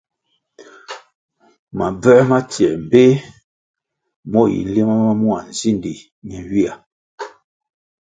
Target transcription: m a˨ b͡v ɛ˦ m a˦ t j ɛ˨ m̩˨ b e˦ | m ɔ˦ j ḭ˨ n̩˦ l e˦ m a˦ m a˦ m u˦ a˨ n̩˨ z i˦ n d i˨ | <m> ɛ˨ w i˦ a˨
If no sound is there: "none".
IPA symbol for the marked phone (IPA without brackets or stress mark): ɲ